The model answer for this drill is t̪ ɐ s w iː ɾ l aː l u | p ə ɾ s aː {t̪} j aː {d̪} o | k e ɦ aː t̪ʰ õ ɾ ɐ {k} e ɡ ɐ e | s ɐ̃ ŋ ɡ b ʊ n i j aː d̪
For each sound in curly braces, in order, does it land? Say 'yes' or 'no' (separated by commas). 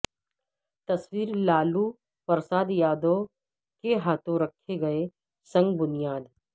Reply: no, yes, no